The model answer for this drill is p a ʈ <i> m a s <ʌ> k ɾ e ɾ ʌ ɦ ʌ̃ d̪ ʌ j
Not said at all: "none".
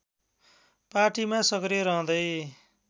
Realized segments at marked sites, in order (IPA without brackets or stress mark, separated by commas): i, ʌ